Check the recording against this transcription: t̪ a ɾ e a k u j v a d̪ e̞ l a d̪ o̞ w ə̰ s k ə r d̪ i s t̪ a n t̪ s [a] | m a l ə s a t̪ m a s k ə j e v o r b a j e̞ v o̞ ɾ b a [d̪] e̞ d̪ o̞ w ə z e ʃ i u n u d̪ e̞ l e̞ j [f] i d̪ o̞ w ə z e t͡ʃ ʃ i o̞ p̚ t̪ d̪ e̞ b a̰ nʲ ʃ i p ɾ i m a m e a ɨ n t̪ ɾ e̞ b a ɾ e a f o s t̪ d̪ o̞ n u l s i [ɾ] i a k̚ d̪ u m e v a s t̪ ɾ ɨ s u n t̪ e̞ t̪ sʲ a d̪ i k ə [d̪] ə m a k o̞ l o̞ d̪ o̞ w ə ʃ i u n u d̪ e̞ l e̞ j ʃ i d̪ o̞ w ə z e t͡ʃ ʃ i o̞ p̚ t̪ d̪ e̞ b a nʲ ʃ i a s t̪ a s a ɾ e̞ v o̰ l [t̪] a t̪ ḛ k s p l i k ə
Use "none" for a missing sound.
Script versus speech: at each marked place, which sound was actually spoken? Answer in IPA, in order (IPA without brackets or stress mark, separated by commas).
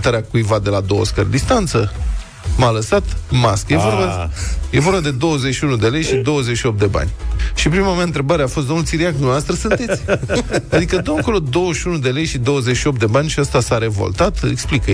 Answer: ə, d̪, ʃ, ɾ, d̪, t̪